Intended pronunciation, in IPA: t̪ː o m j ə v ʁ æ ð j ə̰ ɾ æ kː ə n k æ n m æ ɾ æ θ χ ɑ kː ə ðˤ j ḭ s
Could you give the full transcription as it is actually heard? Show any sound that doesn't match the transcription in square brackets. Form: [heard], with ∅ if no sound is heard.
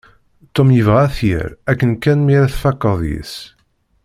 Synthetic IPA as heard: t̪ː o m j ə v ʁ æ [θ] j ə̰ ɾ æ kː ə n k æ n m [i] ɾ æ θ [f] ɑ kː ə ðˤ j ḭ s